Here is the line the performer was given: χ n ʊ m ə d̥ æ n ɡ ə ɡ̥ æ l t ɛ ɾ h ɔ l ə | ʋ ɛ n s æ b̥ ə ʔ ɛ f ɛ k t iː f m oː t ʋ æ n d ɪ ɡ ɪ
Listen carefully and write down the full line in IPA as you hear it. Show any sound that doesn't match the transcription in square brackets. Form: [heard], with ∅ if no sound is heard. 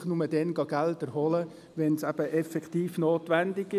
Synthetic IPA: χ n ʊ m ə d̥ [ɛ] n ɡ [ɑ] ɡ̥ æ l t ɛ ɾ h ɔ l ə | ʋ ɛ n s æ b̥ ə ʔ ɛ f ɛ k t iː f [n] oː t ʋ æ n d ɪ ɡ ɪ